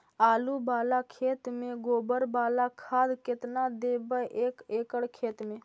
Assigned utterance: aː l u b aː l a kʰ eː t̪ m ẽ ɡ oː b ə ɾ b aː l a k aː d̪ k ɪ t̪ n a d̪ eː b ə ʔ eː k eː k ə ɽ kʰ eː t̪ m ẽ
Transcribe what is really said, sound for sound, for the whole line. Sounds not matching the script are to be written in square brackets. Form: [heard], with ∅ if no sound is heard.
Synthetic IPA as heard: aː l u b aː l a kʰ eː t̪ m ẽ ɡ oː b ə ɾ b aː l a [kʰ] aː d̪ k ɪ t̪ n a d̪ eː b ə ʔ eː k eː k ə ɽ kʰ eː t̪ m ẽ